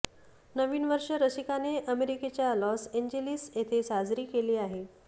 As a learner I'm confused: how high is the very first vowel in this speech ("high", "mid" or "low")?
mid